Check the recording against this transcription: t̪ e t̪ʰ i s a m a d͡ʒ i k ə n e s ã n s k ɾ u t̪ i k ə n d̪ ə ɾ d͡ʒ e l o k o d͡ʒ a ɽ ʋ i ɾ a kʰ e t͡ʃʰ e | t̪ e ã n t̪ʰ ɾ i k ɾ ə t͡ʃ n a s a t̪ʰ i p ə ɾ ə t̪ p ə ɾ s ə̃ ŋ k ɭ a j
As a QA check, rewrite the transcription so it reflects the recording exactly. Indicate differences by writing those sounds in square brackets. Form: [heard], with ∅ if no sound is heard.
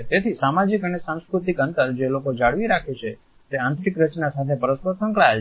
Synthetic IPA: t̪ e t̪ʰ i s a m a d͡ʒ i k ə n e s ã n s k ɾ u t̪ i k ə n [t̪] ə ɾ d͡ʒ e l o k o d͡ʒ a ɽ ʋ i ɾ a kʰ e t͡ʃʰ e | t̪ e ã n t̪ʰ ɾ i k ɾ ə t͡ʃ n a s a t̪ʰ [e] p ə ɾ ə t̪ p ə ɾ s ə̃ ŋ k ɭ a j